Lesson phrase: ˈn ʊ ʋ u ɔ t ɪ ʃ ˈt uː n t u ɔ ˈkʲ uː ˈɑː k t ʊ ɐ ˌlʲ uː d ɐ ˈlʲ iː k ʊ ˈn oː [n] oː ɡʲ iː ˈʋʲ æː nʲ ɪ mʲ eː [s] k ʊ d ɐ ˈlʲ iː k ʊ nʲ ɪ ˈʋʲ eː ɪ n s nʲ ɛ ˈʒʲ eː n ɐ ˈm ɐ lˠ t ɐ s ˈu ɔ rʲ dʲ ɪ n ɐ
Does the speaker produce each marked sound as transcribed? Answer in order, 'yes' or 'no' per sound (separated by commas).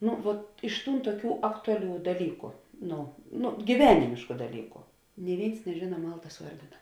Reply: yes, no